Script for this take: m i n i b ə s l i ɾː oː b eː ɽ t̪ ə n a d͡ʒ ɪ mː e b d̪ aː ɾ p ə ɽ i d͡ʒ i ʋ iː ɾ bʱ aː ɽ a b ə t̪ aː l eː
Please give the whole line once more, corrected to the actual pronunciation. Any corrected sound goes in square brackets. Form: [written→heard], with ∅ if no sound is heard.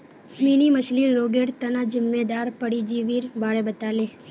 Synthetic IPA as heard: m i n i [b→m] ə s l i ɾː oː [b→ɡ] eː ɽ t̪ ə n a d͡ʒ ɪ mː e [b→∅] d̪ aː ɾ p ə ɽ i d͡ʒ i ʋ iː ɾ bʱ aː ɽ [a→e] b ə t̪ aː l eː